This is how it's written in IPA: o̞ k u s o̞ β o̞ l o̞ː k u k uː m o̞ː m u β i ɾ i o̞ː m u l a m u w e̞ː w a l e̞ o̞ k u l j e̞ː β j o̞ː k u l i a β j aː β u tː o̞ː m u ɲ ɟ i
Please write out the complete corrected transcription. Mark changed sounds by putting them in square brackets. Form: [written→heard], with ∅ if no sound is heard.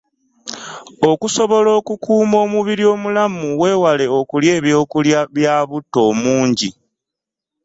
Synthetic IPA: o̞ k u s o̞ β o̞ l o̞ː k u k uː m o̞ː m u β i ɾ i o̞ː m u l a m u w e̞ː w a l e̞ o̞ k u l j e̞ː β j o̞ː k u l [i→j] a β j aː β u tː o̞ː m [u→uː] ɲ ɟ i